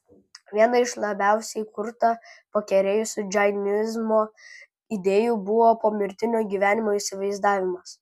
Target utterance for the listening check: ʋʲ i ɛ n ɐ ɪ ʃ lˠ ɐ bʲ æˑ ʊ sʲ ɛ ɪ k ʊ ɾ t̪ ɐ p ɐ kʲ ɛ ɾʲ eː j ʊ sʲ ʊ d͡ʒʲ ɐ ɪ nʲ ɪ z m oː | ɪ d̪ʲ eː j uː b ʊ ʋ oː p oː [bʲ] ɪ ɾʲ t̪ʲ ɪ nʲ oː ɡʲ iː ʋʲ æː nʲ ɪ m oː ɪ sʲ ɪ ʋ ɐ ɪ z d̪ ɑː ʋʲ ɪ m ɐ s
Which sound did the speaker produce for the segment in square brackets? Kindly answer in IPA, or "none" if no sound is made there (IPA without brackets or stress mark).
mʲ